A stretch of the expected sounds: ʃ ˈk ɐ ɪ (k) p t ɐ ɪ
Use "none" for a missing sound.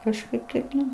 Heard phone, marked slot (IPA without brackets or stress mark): none